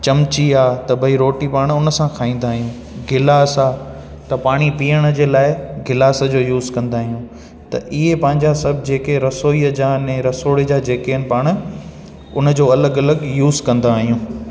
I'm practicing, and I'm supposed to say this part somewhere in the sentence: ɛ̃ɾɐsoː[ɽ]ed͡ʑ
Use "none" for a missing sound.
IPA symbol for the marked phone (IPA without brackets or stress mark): ɽ